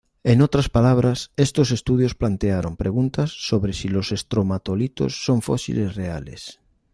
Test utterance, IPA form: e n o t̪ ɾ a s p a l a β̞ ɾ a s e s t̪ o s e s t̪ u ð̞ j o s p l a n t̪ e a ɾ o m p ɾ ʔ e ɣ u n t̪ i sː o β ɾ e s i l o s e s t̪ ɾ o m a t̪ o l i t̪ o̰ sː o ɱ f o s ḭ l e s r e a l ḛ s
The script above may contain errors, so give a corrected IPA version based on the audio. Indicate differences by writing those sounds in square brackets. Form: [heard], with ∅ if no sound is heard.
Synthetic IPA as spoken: e n o t̪ ɾ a s p a l a β̞ ɾ a s e s t̪ o s e s t̪ u ð̞ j o s p l a n t̪ e a ɾ o m p ɾ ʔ e ɣ u n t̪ [a] sː o β ɾ e s i l o s e s t̪ ɾ o m a t̪ o l i t̪ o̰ sː o ɱ f o s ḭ l e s r e a l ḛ s